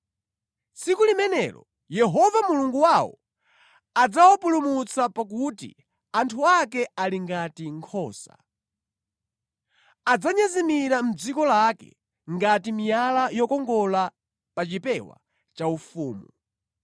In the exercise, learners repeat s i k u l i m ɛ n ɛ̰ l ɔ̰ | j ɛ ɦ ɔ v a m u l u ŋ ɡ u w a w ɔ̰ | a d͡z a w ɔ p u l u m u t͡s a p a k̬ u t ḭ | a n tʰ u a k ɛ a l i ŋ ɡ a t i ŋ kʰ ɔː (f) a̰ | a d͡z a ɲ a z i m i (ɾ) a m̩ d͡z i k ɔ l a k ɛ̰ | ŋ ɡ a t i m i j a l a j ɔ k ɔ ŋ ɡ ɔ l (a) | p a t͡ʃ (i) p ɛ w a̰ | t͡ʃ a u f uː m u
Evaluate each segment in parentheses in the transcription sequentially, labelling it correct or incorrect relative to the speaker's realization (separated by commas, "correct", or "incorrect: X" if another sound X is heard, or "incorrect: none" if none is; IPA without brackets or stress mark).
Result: incorrect: s, correct, correct, correct